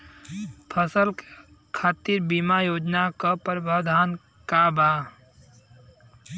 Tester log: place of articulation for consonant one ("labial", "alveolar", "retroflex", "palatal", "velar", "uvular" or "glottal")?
labial